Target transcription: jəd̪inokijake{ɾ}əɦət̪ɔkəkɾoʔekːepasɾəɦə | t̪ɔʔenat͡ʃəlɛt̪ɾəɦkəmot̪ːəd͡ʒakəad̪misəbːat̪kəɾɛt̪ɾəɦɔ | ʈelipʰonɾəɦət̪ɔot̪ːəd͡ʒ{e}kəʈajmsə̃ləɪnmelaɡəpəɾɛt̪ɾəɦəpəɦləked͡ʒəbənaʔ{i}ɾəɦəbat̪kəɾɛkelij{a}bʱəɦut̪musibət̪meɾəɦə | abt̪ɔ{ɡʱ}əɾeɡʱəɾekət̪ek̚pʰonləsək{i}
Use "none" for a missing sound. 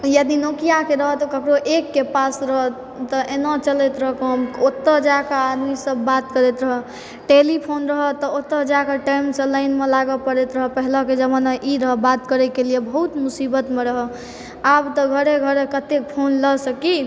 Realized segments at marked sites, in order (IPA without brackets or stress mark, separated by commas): ɾ, a, i, e, ɡʱ, i